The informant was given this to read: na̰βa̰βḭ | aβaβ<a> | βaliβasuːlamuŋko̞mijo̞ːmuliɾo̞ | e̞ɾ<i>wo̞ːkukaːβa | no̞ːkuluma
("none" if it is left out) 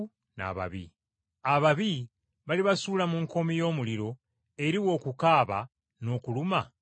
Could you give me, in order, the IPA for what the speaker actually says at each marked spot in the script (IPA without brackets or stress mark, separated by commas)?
i, i